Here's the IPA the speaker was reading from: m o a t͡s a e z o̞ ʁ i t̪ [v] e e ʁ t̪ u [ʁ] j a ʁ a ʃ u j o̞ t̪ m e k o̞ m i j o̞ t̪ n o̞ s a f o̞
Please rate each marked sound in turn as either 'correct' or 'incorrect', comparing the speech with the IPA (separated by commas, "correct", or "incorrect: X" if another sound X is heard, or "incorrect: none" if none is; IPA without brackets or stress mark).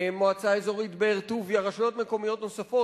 incorrect: b, incorrect: v